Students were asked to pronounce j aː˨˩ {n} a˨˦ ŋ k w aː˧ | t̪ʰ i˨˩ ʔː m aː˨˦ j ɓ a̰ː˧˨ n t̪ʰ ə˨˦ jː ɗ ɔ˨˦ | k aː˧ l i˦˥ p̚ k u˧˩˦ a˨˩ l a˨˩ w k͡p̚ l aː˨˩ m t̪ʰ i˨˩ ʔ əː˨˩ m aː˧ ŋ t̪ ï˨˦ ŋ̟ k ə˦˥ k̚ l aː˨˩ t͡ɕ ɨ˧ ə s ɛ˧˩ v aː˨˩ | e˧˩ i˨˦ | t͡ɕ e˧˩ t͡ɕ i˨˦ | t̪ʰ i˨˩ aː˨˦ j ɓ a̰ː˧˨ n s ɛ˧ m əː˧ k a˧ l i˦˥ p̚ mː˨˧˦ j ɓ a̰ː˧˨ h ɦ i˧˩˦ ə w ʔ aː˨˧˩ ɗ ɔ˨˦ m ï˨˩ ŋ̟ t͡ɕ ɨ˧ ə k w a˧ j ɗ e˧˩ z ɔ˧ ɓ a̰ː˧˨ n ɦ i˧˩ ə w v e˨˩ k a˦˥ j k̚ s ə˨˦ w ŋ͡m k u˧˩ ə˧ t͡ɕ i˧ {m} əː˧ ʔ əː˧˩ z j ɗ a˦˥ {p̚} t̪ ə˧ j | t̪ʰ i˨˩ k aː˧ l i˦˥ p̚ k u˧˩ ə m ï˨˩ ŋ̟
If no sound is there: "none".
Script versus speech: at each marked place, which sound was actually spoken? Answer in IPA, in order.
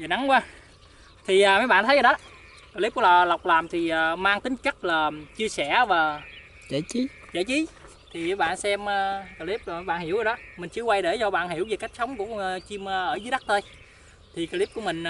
n, m, k̚

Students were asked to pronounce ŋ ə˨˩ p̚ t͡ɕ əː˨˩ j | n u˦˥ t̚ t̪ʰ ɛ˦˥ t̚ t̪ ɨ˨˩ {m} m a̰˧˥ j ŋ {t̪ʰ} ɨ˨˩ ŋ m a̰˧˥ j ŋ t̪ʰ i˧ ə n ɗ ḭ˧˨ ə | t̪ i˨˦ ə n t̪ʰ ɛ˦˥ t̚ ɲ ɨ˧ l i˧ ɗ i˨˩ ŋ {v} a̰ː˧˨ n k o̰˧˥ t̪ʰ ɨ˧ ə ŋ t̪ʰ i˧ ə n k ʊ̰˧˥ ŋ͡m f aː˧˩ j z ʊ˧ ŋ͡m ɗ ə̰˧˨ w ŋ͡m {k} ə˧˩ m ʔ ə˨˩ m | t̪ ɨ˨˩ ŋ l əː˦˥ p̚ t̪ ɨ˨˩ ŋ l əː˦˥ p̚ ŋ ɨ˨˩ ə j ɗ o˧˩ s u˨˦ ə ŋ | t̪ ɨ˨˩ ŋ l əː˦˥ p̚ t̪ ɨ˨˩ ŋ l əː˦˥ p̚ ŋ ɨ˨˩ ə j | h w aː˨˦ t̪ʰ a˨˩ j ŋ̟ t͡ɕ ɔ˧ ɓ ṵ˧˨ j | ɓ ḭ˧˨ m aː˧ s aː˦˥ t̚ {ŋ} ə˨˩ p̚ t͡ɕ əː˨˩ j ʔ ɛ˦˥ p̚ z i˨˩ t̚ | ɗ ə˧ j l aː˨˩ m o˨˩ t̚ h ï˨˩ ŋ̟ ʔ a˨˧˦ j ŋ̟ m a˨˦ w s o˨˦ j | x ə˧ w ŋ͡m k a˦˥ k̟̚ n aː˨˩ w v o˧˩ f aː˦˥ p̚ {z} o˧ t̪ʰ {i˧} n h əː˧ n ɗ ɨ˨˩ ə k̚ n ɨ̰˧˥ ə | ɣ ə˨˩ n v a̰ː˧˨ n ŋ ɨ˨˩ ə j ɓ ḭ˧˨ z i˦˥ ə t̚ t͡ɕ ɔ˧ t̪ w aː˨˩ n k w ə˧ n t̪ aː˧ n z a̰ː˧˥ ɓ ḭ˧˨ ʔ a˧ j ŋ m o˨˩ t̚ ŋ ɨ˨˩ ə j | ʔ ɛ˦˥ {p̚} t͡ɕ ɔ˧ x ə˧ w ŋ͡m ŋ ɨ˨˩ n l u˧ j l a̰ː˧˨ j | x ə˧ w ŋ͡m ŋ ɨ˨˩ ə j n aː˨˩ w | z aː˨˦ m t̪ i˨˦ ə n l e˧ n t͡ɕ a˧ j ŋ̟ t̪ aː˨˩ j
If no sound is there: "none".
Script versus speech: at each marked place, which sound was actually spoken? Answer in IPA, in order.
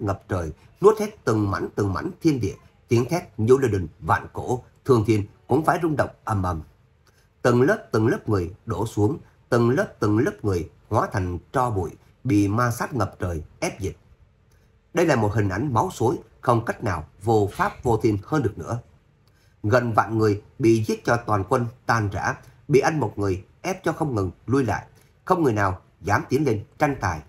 ŋ, t̪, v, ʔ, ŋ, v, i˧, p̚

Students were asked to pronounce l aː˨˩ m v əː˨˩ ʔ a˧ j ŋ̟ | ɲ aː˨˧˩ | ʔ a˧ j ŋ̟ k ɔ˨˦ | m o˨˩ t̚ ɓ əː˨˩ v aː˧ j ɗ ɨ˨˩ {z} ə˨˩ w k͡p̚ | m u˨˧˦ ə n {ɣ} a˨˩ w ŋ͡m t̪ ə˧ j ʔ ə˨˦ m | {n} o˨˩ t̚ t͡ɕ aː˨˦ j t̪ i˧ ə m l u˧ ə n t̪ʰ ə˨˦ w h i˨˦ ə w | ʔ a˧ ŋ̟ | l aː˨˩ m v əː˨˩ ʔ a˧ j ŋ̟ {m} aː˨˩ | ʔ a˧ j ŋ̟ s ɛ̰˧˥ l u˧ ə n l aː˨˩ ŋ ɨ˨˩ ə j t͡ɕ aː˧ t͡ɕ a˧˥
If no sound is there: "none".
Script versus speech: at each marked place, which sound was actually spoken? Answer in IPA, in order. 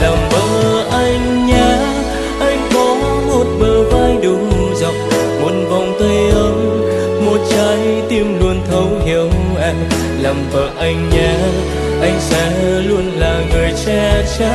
z, v, m, ɲ

